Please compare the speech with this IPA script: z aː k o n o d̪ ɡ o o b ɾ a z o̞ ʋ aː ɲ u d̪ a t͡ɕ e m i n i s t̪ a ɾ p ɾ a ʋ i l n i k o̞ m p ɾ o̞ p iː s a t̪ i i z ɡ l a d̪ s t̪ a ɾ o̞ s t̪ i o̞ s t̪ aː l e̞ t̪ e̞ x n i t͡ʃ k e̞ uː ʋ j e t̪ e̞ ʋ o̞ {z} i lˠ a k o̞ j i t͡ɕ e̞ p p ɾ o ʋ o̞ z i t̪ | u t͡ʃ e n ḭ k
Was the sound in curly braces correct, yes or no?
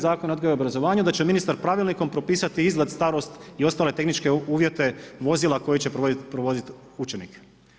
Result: yes